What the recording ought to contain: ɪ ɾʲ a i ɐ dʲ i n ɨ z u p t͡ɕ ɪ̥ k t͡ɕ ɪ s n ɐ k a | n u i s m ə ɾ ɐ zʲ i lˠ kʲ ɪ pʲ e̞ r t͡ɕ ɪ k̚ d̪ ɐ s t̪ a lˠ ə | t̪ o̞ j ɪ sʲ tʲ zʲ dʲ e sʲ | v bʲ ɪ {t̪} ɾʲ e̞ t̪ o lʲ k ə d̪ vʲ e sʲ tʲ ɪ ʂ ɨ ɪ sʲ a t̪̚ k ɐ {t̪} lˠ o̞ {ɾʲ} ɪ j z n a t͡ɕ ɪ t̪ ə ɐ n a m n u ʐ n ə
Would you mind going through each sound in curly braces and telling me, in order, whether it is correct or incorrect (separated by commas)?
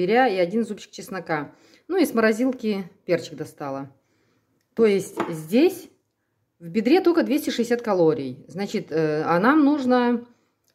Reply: incorrect, incorrect, correct